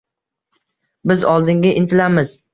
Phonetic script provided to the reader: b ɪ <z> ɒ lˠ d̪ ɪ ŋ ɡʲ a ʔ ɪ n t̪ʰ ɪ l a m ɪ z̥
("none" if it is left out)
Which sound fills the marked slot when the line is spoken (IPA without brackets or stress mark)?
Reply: z